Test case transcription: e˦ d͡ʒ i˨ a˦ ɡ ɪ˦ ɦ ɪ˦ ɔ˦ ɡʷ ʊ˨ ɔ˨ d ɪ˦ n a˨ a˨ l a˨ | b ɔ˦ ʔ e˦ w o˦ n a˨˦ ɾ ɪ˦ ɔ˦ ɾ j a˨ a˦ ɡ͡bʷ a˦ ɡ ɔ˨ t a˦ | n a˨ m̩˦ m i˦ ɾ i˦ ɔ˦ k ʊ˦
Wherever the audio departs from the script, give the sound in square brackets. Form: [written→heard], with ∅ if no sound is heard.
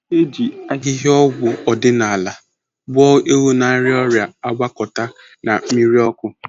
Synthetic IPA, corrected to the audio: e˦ d͡ʒ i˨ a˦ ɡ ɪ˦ ɦ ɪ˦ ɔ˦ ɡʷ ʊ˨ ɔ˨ d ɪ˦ n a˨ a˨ l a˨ | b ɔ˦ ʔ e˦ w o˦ n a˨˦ ɾ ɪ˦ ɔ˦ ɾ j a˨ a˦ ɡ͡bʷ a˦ [ɡ→k] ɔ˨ t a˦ | n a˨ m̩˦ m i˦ ɾ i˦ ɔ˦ k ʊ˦